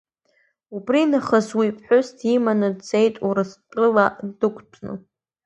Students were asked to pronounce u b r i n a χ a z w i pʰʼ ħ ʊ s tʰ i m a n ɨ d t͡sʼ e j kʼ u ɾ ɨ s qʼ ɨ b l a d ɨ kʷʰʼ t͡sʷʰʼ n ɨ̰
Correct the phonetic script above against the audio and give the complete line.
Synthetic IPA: u b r i n a χ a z w i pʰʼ ħ ʊ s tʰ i m a n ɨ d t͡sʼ e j tʼ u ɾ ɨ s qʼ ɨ l a d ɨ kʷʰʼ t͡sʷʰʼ n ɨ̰